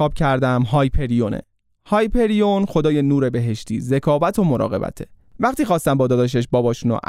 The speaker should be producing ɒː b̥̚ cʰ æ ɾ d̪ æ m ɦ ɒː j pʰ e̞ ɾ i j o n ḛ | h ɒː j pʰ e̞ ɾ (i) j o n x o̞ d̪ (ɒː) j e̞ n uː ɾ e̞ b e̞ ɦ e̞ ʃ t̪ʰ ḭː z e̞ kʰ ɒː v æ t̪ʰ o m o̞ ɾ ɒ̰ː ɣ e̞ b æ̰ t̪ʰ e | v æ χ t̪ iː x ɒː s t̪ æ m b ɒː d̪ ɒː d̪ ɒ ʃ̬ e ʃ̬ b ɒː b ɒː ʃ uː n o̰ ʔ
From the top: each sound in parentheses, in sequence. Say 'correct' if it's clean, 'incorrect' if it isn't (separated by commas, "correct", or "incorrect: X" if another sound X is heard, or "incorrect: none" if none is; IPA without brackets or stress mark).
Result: correct, correct